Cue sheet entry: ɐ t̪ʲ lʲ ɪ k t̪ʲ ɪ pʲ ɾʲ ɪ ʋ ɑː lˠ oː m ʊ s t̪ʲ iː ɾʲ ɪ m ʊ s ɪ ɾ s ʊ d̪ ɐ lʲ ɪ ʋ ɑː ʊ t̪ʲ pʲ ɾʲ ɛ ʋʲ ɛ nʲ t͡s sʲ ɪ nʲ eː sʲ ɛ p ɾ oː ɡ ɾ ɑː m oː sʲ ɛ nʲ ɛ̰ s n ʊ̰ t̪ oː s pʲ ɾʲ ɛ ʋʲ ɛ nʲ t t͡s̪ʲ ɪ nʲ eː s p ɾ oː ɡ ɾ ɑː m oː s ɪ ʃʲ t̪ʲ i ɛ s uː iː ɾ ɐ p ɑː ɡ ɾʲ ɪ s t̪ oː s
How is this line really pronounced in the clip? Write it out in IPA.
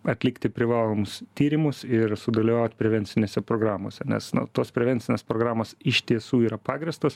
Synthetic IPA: ɐ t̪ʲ lʲ ɪ k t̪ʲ ɪ pʲ ɾʲ ɪ ʋ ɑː lˠ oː m ʊ s t̪ʲ iː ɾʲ ɪ m ʊ s ɪ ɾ s ʊ d̪ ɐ lʲ ɪ ʋ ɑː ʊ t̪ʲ pʲ ɾʲ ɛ ʋʲ ɛ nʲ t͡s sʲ ɪ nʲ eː sʲ ɛ p ɾ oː ɡ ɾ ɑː m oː sʲ ɛ nʲ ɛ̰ s n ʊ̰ t̪ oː s pʲ ɾʲ ɛ ʋʲ ɛ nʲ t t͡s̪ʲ ɪ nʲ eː s p ɾ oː ɡ ɾ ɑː m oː s ɪ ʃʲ t̪ʲ i ɛ s uː iː ɾ ɐ p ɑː ɡ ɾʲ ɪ s t̪ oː s